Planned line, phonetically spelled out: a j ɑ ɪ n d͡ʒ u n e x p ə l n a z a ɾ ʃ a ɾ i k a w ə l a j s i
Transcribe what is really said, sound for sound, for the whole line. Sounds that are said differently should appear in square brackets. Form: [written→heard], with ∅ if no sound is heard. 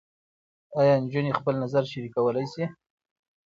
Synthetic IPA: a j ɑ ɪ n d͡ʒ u n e x p ə l n a z a ɾ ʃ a ɾ i k a w ə l a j s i